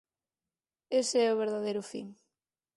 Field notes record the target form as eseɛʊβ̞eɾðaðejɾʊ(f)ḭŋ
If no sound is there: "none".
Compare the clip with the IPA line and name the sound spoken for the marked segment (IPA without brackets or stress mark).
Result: f